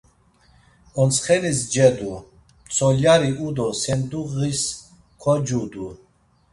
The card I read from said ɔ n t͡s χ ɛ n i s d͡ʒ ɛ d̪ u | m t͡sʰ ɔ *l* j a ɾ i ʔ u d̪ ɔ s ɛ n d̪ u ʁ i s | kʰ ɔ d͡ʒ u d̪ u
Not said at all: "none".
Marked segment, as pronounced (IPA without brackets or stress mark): l